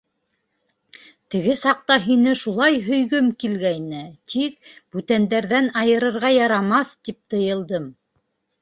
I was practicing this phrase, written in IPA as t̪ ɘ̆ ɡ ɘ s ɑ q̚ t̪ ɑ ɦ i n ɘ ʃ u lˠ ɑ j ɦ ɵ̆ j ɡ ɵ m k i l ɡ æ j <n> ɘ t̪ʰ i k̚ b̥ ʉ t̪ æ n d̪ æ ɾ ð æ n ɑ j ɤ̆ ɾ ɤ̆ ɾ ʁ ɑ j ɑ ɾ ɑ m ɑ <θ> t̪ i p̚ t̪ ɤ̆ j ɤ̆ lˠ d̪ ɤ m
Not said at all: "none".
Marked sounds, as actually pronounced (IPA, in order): n, θ

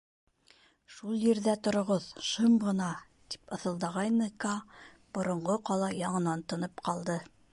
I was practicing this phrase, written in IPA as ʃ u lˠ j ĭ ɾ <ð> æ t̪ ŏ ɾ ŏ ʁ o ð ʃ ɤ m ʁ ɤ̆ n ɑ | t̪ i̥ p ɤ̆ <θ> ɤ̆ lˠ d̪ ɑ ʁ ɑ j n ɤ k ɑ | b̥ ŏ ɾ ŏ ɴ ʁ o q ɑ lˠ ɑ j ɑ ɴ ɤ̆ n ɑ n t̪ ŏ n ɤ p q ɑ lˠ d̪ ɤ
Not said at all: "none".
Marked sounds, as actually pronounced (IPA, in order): ð, θ

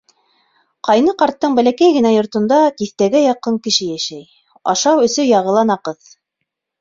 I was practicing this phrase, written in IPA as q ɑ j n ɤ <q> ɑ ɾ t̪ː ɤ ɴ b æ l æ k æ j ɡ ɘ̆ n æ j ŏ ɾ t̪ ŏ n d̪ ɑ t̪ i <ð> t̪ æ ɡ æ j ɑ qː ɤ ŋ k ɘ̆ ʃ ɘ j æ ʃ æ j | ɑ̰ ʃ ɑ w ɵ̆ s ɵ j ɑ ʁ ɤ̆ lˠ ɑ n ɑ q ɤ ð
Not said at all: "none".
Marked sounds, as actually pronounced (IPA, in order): q, θ

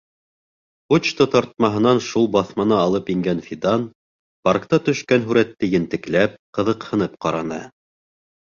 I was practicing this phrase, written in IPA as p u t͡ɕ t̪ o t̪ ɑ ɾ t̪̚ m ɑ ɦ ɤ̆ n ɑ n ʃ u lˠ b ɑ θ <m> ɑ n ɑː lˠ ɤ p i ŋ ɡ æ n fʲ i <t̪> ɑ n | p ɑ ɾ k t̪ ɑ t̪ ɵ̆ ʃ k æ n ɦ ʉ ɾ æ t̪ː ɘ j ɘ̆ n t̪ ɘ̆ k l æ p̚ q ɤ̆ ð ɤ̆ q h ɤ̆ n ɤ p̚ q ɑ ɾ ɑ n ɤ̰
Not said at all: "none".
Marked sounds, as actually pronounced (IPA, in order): m, d̪

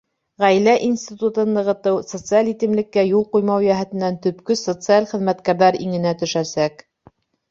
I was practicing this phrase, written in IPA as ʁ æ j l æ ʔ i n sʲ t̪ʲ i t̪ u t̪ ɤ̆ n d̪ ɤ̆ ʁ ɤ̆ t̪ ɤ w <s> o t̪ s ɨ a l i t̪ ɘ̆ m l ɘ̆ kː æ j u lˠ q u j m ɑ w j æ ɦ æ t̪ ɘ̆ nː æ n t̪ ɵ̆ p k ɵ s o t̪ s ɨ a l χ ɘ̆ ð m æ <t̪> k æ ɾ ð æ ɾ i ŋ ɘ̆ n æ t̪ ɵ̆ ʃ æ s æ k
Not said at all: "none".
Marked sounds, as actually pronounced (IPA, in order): s, t̪

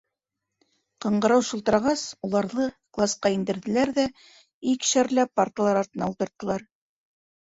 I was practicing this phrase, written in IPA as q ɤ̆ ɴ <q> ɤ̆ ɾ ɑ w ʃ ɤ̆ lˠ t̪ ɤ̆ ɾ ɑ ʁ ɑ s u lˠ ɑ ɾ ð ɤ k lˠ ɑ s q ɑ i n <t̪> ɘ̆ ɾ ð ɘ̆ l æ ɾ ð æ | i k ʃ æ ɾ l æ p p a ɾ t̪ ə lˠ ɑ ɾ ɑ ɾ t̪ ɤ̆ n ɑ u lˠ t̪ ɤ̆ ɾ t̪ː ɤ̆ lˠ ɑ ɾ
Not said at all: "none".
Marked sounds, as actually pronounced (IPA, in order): ɢ, d̪

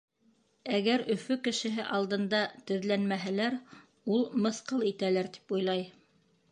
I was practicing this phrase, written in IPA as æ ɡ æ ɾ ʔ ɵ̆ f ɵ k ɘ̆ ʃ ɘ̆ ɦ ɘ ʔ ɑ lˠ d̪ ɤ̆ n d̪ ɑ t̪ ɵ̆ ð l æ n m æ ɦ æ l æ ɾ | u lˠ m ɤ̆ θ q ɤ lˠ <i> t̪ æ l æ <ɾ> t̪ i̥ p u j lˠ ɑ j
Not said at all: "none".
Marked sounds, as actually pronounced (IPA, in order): i, ɾ

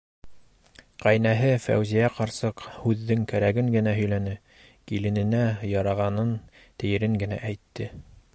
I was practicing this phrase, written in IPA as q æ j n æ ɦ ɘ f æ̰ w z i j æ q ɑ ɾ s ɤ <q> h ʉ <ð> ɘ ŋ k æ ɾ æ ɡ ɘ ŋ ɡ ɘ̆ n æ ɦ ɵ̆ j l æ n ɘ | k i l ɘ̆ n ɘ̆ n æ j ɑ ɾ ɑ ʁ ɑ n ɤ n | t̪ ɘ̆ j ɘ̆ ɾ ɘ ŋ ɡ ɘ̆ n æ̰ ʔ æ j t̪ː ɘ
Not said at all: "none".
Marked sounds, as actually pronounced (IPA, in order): q, ðː

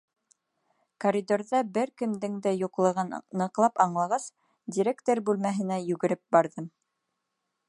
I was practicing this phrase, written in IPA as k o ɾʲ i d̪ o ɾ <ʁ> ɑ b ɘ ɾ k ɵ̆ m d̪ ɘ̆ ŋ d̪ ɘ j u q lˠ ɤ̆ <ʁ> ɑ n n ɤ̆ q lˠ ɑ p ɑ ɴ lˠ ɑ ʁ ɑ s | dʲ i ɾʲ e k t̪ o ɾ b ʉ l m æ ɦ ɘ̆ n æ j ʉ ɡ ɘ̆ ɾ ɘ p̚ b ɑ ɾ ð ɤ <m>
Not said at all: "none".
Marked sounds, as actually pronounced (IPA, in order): ð, ʁ, m

